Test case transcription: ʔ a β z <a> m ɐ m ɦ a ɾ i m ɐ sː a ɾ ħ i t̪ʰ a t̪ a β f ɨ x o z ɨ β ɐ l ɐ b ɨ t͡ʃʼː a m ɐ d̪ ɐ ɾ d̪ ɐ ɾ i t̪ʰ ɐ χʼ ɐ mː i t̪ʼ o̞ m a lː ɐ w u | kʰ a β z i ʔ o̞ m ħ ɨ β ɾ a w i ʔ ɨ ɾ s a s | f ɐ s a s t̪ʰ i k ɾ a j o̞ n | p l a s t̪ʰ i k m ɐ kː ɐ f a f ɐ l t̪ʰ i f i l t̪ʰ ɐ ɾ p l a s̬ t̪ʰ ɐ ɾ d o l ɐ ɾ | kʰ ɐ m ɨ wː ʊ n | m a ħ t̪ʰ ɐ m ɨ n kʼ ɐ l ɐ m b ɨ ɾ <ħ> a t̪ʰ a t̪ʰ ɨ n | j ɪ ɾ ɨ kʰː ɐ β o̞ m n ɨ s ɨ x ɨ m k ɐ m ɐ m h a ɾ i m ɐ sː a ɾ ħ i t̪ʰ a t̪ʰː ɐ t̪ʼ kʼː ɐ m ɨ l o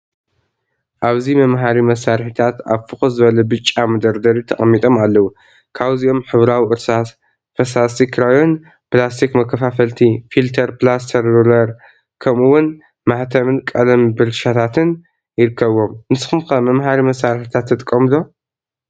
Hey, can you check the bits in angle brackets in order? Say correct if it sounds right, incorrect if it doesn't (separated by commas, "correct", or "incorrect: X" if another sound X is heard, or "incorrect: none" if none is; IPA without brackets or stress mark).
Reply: incorrect: i, incorrect: ʃ